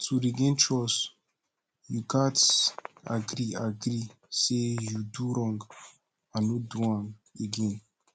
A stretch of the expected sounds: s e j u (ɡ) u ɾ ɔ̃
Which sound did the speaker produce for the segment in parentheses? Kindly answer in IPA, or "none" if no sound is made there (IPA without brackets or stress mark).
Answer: d